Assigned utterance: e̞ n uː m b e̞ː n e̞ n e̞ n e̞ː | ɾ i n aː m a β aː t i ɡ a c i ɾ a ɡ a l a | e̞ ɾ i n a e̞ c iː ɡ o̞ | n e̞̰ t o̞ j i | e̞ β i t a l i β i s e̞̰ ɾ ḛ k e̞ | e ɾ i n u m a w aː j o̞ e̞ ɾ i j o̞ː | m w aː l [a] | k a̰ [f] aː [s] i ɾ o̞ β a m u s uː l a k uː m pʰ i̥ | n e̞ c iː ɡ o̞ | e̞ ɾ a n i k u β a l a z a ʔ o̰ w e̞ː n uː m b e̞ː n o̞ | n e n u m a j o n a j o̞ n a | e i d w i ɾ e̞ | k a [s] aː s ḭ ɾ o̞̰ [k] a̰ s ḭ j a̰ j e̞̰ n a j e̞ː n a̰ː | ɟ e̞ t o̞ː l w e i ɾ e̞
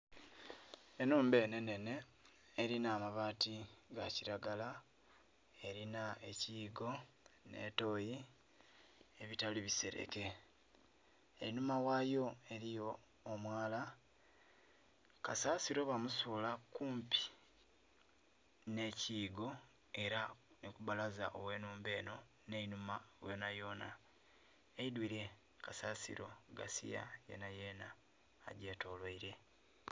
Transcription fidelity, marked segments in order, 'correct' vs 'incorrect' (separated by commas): correct, incorrect, correct, correct, incorrect